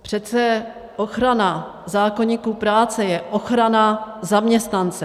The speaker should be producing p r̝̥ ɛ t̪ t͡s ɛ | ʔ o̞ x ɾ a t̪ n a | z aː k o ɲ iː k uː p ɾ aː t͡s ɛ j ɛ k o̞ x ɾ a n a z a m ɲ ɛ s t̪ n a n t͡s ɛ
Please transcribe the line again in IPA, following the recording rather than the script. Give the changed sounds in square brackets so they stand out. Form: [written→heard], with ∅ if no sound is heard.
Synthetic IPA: p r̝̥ ɛ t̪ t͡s ɛ | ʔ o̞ x ɾ a [t̪→∅] n a | z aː k o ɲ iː k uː p ɾ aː t͡s ɛ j ɛ [k→ʔ] o̞ x ɾ a n a z a m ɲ ɛ s t̪ n a n t͡s ɛ